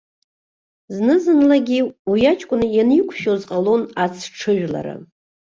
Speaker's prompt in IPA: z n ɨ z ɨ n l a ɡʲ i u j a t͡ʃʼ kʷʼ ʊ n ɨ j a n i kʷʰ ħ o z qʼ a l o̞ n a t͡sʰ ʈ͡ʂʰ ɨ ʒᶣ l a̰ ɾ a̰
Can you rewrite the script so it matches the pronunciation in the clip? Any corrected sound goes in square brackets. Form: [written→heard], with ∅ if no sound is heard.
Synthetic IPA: z n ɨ z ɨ n l a ɡʲ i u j a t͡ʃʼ kʷʼ ʊ n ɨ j a n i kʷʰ [ħ→ʃ] o z qʼ a l o̞ n a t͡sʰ ʈ͡ʂʰ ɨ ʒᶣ l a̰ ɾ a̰